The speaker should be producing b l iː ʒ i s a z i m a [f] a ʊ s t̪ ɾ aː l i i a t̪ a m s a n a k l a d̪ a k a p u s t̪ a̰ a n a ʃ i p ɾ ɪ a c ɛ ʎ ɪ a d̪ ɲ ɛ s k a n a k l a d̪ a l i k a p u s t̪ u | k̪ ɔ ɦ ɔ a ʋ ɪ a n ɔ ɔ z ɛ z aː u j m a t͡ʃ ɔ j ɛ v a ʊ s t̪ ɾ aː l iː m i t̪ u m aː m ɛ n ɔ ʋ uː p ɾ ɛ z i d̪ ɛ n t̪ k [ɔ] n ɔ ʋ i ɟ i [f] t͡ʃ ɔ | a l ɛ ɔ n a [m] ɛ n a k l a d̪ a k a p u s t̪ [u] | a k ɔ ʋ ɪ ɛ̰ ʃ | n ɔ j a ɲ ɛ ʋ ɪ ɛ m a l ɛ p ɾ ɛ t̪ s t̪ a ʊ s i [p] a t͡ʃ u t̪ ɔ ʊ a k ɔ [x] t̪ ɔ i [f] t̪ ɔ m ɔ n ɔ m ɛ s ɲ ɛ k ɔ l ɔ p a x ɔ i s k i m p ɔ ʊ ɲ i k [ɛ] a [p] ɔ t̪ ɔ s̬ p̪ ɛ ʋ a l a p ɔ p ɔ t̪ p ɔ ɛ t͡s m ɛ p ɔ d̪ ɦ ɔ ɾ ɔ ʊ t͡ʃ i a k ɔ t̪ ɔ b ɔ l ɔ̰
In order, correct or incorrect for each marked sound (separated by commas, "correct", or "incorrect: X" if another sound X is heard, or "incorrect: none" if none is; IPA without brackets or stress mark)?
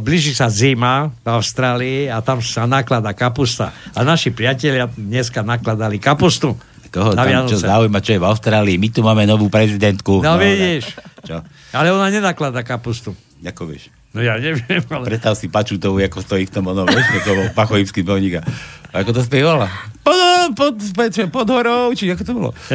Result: incorrect: v, incorrect: u, incorrect: ʃ, incorrect: ɲ, correct, correct, incorrect: s, correct, incorrect: a, incorrect: k